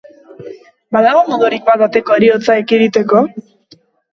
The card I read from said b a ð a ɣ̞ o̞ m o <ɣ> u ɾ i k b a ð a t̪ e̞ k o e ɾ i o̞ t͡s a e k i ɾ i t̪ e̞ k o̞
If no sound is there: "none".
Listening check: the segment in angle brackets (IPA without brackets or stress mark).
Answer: ð